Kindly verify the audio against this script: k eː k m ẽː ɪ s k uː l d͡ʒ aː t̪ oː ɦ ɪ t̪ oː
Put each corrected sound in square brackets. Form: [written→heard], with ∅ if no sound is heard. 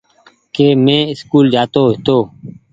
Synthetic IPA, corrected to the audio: k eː [k→∅] m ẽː ɪ s k uː l d͡ʒ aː t̪ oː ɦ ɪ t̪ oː